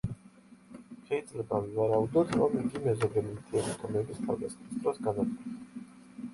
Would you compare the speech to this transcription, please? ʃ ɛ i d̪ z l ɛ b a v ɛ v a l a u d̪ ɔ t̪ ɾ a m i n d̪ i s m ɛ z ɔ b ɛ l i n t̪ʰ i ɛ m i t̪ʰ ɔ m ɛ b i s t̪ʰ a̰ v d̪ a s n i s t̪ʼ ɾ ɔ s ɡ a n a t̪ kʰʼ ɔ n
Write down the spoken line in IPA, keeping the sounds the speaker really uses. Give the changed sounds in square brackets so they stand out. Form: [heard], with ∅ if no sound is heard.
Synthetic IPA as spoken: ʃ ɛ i d̪ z l ɛ b a v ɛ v a [ɾ] a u d̪ ɔ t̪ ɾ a m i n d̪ i [∅] m ɛ z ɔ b ɛ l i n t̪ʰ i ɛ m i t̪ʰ ɔ m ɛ b i s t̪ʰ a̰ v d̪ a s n i s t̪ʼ ɾ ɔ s ɡ a n a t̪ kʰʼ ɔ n